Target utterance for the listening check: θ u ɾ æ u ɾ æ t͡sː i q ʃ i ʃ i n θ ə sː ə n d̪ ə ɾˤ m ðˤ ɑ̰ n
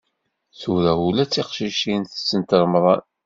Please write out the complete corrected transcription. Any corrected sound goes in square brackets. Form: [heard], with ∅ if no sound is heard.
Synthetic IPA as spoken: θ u ɾ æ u [l] æ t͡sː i q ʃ i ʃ i n θ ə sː ə n [t̪] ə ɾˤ m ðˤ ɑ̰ n